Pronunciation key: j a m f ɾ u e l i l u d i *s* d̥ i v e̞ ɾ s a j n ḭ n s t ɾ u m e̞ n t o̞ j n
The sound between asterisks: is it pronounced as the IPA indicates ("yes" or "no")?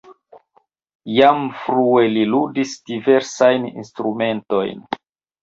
yes